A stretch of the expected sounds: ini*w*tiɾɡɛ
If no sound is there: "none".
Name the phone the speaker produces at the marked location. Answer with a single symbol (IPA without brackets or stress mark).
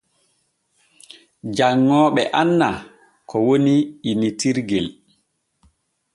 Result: none